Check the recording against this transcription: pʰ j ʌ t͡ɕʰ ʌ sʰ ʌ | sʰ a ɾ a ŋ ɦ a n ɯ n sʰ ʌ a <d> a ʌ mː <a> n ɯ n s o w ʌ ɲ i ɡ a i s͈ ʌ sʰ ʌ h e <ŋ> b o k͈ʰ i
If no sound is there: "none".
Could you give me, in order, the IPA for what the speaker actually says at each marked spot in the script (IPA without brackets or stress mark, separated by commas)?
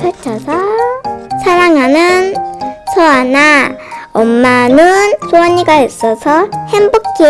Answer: n, a, m